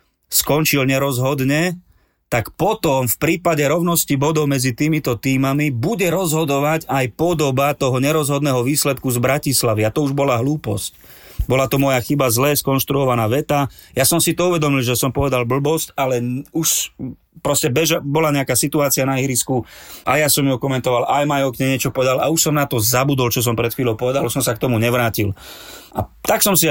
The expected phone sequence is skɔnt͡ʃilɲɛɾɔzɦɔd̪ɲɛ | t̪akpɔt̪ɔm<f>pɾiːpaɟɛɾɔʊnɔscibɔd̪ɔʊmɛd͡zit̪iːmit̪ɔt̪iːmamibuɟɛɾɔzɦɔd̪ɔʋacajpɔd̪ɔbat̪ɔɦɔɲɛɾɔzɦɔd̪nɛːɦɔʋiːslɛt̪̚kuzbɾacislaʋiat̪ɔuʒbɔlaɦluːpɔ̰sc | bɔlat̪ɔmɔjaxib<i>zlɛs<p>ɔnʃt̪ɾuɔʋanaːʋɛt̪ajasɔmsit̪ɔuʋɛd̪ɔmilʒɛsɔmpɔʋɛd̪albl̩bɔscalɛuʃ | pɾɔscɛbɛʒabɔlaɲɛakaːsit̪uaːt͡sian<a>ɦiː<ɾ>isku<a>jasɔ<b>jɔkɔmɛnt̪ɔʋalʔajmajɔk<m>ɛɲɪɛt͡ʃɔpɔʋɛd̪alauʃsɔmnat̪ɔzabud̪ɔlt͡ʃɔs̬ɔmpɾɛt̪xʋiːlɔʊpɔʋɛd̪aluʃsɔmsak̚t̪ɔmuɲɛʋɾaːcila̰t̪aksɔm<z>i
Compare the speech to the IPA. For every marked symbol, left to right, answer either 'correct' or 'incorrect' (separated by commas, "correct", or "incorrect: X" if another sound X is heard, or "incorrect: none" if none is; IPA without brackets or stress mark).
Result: correct, incorrect: a, incorrect: k, correct, correct, correct, incorrect: m, incorrect: ɲ, incorrect: s